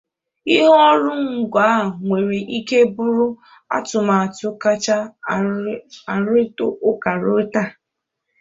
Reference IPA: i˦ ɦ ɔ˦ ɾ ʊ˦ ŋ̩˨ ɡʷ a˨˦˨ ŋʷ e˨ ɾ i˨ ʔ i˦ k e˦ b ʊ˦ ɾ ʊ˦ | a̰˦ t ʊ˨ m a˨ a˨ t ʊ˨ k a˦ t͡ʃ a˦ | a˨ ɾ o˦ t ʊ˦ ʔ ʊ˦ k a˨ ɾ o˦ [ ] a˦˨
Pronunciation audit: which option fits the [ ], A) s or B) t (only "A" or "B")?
B